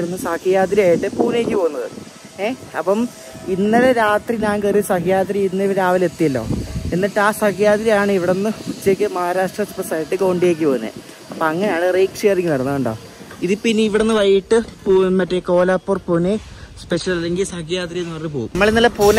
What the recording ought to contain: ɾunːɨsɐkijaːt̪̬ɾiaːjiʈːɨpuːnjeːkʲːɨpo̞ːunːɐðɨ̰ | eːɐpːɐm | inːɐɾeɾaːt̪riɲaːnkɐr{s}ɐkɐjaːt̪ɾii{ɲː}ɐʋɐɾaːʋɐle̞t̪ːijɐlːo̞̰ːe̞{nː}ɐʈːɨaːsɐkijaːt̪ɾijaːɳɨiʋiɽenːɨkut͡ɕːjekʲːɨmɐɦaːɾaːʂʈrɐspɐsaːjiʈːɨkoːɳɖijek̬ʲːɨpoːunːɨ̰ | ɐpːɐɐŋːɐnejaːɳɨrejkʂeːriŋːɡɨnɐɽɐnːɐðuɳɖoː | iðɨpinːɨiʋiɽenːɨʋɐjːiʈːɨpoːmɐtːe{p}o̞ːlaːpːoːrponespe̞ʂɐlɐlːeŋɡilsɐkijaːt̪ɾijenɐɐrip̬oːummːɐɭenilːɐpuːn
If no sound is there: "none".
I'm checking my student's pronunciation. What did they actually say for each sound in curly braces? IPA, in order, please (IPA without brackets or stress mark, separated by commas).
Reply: s, nː, nː, k